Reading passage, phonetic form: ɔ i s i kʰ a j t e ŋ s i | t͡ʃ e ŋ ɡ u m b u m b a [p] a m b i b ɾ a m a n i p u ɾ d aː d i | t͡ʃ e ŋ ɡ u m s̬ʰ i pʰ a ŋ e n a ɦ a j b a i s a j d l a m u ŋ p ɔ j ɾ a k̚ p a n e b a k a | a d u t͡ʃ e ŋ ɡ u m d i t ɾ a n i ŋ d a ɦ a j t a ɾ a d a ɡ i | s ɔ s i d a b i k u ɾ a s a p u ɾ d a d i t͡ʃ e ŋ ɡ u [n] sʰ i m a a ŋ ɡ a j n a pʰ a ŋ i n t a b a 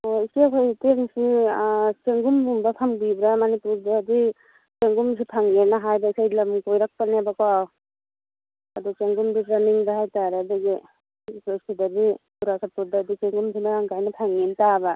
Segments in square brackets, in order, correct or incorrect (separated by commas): incorrect, incorrect